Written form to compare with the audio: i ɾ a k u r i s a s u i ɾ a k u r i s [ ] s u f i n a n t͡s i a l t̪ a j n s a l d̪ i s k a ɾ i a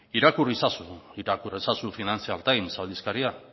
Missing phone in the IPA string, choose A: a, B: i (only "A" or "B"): A